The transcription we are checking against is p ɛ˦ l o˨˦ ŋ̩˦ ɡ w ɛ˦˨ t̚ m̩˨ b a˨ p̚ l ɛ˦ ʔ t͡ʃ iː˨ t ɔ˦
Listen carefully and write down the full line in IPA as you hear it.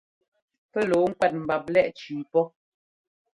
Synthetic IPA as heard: p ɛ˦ l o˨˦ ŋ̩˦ k w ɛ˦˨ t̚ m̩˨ b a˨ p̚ l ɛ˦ ʔ t͡ʃ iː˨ p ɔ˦